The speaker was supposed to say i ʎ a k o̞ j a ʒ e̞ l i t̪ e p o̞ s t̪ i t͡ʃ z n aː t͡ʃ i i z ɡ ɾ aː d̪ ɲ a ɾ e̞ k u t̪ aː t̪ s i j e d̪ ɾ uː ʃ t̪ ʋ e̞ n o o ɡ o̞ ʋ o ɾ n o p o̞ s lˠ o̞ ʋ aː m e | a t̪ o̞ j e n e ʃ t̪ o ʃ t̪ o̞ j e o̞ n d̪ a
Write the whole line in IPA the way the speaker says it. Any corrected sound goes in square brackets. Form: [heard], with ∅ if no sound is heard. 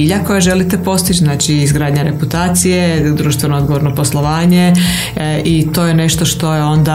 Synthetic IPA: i ʎ a k o̞ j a ʒ e̞ l i t̪ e p o̞ s t̪ i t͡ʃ z n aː t͡ʃ i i z ɡ ɾ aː d̪ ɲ a ɾ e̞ [p] u t̪ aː t̪ s i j e d̪ ɾ uː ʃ t̪ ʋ e̞ n o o ɡ o̞ ʋ o ɾ n o p o̞ s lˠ o̞ ʋ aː [ɲ] e | [i] t̪ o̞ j e n e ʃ t̪ o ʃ t̪ o̞ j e o̞ n d̪ a